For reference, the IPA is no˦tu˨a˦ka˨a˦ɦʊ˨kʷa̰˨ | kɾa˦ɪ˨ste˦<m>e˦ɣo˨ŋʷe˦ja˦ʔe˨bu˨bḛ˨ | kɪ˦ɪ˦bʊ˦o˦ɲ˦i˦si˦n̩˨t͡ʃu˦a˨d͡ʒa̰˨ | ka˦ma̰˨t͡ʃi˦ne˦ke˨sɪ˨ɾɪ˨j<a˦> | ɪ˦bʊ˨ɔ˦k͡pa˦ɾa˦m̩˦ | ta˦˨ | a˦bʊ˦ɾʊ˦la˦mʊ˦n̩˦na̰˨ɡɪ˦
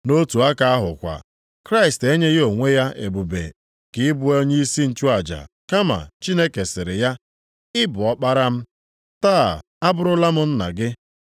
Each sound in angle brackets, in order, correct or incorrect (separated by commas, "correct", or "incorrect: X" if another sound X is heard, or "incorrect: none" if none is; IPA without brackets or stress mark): incorrect: ɲ, correct